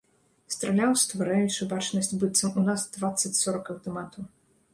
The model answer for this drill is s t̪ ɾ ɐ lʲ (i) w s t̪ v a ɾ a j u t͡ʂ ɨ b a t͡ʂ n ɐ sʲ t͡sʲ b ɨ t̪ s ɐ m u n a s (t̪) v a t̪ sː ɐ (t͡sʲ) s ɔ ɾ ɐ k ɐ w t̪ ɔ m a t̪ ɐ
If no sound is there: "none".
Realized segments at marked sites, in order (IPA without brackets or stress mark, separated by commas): a, d̪, t͡sʲ